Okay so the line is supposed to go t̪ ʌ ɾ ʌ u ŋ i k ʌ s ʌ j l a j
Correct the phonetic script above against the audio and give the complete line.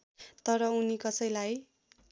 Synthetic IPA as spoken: t̪ ʌ ɾ ʌ u n i k ʌ s ʌ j l a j